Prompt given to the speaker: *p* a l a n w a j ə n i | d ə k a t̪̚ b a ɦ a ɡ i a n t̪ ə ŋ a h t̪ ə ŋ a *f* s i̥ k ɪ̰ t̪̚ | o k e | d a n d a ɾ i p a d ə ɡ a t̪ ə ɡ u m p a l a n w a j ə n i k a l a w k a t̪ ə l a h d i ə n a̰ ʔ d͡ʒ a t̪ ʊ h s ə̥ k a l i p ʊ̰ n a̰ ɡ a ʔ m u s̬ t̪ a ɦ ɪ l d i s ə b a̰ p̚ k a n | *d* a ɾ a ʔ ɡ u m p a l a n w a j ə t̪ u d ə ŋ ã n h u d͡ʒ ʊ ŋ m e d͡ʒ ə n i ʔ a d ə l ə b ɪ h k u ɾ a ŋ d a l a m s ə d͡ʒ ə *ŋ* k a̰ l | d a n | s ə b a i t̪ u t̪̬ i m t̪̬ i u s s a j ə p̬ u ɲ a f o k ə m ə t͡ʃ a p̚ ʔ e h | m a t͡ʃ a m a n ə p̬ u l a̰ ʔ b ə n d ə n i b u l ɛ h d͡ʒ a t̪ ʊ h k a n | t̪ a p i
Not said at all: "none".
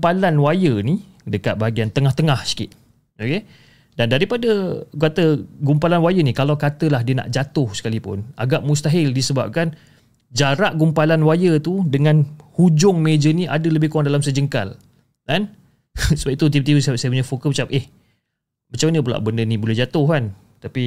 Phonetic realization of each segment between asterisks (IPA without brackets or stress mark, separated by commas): p, h, d͡ʒ, ŋ